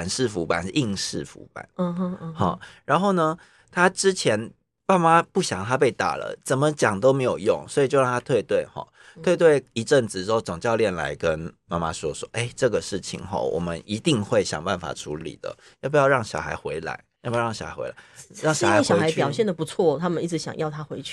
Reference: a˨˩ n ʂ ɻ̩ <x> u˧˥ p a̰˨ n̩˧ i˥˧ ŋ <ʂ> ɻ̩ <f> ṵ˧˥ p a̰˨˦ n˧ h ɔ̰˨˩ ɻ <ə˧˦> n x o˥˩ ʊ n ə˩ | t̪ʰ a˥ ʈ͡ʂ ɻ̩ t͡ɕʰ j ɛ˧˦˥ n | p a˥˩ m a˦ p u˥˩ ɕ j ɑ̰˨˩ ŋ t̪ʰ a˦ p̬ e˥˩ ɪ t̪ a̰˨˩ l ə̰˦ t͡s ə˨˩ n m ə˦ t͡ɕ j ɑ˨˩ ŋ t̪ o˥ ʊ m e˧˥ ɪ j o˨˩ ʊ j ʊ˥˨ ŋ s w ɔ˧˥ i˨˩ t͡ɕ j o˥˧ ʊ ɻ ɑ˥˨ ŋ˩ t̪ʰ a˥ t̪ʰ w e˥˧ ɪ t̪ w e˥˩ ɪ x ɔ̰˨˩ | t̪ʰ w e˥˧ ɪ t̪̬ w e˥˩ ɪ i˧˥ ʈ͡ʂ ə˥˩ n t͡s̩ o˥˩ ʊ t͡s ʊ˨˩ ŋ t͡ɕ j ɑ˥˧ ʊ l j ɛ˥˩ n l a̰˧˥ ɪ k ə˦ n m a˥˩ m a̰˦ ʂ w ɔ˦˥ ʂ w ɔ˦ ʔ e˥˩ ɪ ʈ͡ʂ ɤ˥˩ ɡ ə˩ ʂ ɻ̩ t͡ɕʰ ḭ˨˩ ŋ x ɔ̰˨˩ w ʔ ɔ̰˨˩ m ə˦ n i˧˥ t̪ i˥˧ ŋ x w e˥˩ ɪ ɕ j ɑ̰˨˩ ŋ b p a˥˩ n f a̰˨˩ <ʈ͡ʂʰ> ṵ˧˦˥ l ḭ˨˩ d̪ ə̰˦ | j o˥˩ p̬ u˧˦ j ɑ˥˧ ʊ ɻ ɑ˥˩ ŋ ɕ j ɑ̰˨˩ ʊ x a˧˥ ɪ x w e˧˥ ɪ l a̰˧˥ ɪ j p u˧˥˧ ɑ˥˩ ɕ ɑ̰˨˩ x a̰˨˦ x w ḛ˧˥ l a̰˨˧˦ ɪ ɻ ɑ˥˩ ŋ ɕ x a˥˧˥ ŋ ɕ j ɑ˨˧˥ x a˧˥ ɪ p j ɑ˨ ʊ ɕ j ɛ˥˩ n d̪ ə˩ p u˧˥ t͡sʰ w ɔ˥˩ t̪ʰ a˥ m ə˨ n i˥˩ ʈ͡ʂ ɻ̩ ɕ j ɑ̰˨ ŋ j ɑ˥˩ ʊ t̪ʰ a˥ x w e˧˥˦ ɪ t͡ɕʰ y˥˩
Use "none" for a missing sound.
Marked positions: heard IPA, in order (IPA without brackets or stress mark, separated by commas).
f, ʂ, f, a˧˦, ʈ͡ʂʰ